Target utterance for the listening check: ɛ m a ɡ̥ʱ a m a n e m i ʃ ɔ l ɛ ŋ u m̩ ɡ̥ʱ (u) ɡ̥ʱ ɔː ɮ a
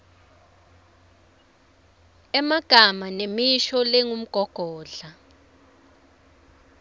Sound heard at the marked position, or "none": ɔ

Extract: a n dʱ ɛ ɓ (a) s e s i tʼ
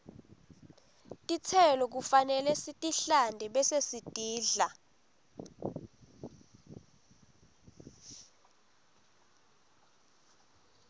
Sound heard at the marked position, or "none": ɛ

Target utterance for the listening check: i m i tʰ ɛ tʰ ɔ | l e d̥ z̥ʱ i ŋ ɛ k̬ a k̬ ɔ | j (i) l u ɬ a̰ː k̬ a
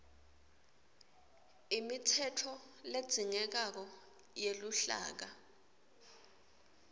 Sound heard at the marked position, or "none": e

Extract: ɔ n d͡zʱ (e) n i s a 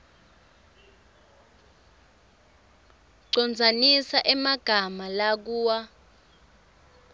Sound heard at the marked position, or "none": a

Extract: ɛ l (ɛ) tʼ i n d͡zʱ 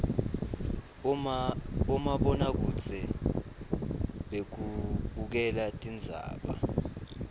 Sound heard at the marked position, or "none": a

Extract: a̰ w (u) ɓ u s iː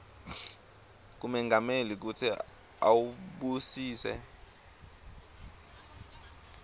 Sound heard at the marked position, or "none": u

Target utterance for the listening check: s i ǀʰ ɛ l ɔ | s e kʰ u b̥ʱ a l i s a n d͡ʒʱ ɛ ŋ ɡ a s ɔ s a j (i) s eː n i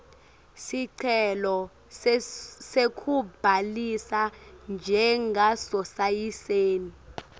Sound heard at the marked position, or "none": i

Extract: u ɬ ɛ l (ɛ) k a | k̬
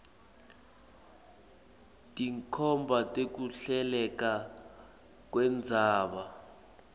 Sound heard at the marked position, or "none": ɛ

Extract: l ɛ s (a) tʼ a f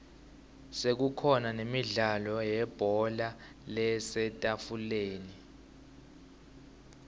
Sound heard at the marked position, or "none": ɛ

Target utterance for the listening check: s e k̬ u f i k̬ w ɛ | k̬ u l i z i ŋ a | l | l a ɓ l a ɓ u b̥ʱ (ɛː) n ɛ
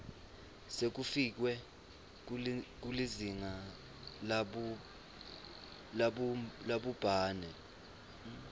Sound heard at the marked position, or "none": aː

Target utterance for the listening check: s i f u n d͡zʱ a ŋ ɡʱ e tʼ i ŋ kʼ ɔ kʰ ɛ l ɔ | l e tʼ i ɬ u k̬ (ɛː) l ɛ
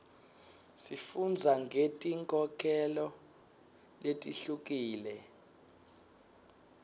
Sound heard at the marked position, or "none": iː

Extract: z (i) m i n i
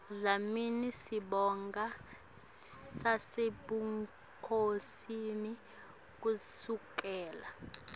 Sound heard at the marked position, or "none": a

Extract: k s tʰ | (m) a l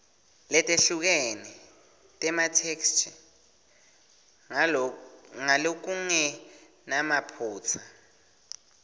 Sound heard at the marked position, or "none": ŋ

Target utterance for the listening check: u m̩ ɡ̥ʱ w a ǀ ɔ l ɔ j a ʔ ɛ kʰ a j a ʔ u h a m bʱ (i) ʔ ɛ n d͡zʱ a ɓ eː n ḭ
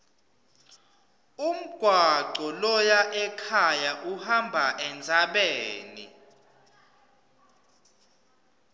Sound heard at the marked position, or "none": a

